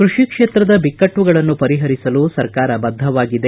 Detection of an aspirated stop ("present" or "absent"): absent